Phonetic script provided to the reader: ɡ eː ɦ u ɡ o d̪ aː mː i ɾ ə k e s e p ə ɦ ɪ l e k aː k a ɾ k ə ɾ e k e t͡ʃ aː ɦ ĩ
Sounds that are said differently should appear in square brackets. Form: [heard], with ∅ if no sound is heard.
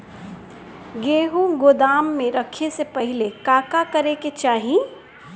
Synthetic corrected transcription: ɡ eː ɦ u ɡ o d̪ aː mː [e] ɾ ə [kʰ] e s e p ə ɦ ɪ l e k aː k a [∅] k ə ɾ e k e t͡ʃ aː ɦ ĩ